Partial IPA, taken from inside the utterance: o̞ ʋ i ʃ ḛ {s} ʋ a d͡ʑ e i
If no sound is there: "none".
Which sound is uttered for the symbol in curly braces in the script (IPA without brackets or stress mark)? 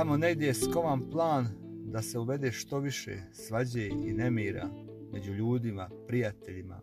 s